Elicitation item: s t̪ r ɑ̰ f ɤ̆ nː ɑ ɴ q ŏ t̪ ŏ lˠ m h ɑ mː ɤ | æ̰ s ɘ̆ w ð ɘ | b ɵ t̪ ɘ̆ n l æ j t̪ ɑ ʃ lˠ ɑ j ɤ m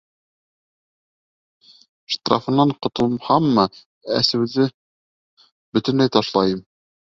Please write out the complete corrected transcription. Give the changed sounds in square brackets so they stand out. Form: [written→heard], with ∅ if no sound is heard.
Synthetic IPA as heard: [s→ʃ] t̪ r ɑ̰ f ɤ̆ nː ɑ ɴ q ŏ t̪ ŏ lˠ m h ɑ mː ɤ | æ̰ s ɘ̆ w ð ɘ | b ɵ t̪ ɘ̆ n l æ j t̪ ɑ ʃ lˠ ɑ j ɤ m